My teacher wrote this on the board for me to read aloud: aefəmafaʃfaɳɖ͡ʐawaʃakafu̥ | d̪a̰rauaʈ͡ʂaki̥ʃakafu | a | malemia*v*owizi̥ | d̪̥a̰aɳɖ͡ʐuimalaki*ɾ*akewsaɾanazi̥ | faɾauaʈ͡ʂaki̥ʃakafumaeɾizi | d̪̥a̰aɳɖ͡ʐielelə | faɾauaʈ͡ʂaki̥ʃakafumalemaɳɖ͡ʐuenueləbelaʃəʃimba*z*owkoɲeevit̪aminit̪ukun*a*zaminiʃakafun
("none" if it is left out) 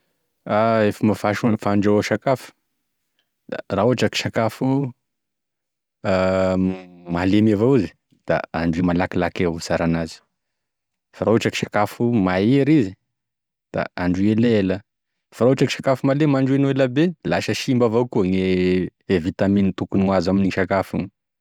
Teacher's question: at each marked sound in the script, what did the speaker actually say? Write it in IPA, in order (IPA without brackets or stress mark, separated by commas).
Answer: v, l, v, a